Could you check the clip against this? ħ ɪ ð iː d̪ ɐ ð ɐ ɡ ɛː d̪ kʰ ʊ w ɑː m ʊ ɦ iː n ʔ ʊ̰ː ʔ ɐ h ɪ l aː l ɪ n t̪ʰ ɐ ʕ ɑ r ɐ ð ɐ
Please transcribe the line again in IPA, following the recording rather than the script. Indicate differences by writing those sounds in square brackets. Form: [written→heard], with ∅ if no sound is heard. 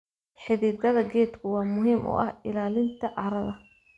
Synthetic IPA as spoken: ħ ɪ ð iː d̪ ɐ ð ɐ ɡ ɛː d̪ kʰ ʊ w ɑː m ʊ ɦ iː [n→m] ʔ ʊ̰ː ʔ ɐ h ɪ l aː l ɪ n t̪ʰ ɐ ʕ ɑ [r→ɾ] ɐ ð ɐ